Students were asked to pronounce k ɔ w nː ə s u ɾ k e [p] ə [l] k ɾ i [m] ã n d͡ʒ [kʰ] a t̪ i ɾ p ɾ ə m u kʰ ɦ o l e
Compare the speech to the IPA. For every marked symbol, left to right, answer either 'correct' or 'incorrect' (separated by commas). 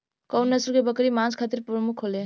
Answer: incorrect, incorrect, correct, correct